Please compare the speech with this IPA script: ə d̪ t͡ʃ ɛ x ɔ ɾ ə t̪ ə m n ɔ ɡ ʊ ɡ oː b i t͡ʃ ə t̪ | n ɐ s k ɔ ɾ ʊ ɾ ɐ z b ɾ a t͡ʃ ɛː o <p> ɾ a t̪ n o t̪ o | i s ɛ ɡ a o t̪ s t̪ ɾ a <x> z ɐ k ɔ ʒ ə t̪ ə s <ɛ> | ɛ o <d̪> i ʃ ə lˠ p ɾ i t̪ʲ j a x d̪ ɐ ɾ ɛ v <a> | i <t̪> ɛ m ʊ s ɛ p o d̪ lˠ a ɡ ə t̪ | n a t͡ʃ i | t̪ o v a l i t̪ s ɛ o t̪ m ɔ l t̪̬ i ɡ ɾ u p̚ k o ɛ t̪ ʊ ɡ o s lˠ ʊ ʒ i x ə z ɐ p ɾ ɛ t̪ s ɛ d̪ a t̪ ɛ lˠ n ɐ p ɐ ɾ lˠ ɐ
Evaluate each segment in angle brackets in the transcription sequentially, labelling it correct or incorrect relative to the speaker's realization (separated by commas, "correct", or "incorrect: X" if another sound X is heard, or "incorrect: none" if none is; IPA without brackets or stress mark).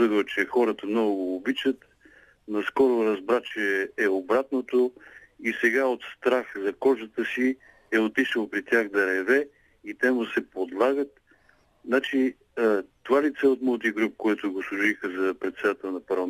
incorrect: b, correct, incorrect: i, incorrect: t̪, incorrect: ɛ, correct